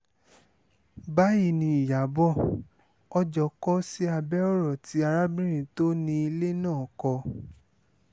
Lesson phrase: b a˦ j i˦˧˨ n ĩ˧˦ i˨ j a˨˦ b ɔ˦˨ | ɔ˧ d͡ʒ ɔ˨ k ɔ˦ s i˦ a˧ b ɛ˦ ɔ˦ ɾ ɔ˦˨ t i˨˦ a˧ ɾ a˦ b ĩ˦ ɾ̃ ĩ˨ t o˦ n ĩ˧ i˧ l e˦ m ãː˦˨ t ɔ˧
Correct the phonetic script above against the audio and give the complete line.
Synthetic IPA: b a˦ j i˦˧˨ n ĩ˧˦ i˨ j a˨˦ b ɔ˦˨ | ɔ˧ d͡ʒ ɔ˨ k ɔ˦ s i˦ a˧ b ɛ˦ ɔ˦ ɾ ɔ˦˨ t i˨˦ a˧ ɾ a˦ b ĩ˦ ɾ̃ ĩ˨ t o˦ n ĩ˧ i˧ l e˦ n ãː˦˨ k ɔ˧